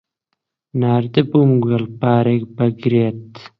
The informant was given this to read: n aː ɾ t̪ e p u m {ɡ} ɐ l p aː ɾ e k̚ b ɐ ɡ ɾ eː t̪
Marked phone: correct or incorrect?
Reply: correct